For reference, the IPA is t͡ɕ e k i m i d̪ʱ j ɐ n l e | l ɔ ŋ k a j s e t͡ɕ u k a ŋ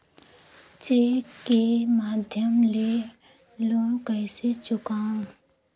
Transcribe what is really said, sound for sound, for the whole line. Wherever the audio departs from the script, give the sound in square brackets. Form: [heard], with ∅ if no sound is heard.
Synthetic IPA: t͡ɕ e k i m [a] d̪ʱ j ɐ [m] l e | l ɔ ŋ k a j s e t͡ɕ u k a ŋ